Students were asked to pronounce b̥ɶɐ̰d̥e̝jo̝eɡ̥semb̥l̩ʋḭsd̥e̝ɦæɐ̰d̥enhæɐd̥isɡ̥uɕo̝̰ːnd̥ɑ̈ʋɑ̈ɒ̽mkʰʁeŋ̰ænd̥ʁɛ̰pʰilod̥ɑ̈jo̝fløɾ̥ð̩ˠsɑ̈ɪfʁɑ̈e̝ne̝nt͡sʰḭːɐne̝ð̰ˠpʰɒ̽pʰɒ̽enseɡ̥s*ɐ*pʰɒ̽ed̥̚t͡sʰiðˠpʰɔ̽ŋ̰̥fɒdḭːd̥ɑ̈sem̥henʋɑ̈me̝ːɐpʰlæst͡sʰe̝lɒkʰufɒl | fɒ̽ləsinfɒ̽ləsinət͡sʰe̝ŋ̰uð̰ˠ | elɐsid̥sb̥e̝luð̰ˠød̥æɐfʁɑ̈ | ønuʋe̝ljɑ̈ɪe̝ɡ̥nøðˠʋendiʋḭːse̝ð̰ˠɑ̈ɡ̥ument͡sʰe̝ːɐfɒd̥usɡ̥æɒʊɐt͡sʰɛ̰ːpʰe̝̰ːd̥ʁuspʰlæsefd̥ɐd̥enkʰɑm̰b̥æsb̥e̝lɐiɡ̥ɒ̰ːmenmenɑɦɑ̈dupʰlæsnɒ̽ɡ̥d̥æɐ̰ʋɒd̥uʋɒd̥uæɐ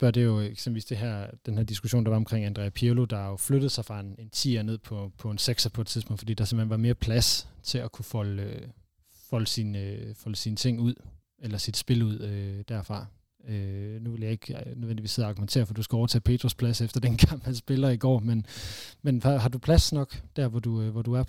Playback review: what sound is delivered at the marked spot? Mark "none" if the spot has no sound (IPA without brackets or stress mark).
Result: ɐ